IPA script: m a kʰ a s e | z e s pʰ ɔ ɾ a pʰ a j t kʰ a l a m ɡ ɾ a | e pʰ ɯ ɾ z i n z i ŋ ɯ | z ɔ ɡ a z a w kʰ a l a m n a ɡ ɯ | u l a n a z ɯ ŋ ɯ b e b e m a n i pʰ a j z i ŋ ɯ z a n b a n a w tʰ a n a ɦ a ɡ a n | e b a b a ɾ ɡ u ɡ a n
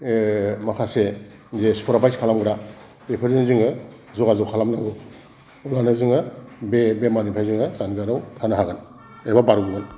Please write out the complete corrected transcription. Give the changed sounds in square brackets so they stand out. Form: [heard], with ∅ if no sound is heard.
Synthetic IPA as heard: m a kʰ a s e | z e s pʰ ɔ ɾ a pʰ a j [s] kʰ a l a m ɡ ɾ a | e pʰ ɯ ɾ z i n z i ŋ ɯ | z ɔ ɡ a z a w kʰ a l a m n a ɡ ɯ | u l a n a z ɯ ŋ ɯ b e b e m a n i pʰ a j z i ŋ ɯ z a n [ɡ] a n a w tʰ a n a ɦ a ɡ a n | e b a b a ɾ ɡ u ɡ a n